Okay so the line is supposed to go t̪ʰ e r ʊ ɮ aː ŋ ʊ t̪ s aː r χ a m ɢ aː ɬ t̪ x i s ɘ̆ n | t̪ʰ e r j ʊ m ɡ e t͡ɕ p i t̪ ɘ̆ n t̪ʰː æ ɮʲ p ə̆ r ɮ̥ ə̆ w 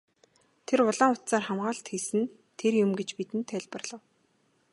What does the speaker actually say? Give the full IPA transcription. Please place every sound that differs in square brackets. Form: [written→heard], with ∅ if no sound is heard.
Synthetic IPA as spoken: t̪ʰ e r ʊ ɮ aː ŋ ʊ t̪ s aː r χ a m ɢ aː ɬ t̪ x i s ɘ̆ n | t̪ʰ e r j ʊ m ɡ e t͡ɕ p i t̪ ɘ̆ n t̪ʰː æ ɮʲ p ə̆ r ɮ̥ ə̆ w